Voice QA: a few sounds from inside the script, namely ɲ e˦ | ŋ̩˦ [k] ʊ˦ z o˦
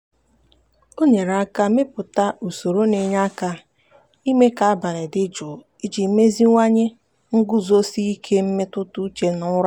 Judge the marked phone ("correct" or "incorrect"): incorrect